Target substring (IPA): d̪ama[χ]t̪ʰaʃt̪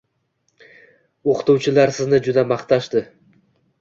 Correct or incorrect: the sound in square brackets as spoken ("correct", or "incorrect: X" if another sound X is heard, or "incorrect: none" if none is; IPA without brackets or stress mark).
correct